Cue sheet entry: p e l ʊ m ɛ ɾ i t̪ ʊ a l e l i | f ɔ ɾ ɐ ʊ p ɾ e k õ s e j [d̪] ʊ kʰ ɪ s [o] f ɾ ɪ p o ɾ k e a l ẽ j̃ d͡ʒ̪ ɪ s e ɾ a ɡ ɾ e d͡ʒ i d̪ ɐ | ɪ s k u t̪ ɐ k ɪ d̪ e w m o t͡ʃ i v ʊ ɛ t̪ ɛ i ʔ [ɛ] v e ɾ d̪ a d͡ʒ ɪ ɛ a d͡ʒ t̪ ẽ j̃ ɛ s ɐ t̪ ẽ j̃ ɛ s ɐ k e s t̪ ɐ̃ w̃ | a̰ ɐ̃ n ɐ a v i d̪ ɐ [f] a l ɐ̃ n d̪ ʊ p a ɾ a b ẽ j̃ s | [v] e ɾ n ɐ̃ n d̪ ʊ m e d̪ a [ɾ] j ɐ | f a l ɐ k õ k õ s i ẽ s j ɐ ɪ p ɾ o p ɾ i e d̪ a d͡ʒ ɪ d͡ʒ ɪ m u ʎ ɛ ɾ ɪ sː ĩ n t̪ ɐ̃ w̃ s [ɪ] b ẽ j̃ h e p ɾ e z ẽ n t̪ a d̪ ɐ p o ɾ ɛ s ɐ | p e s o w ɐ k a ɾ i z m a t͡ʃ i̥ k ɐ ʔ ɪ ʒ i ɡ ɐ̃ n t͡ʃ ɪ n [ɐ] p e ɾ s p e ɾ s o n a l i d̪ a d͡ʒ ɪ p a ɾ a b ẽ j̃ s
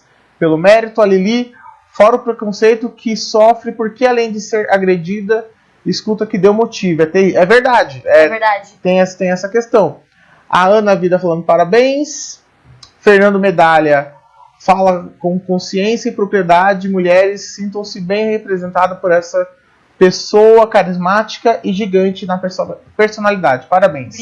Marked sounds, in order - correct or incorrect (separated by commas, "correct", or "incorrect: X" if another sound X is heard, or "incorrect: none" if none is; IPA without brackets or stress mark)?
incorrect: t̪, incorrect: ɔ, correct, correct, incorrect: f, incorrect: l, correct, correct